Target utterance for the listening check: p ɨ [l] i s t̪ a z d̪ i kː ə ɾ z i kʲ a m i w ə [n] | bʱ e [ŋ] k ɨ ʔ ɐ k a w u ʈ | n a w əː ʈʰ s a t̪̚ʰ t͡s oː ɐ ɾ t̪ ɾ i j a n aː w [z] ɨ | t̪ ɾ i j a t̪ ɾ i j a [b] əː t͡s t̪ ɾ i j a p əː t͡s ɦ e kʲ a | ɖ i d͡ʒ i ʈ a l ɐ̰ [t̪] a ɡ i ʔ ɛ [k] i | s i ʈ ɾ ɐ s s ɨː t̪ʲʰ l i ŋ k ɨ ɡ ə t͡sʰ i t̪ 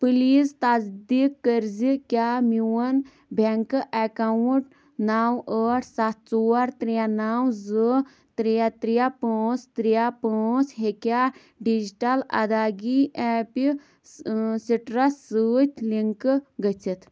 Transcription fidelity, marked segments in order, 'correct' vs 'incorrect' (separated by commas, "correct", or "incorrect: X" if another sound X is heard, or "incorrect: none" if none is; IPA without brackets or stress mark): correct, correct, correct, correct, incorrect: p, incorrect: d̪, incorrect: p